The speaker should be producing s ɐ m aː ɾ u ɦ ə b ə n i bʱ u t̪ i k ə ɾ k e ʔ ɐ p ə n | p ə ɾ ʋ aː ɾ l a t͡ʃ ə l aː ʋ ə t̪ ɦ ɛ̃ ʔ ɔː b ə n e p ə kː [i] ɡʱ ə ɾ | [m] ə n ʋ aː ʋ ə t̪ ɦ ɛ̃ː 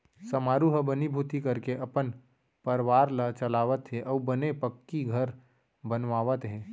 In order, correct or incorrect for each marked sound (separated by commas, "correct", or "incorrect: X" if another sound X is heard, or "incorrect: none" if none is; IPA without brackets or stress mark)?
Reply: correct, incorrect: b